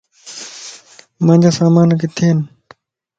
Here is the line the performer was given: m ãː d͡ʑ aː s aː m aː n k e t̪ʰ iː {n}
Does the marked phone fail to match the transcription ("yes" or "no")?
no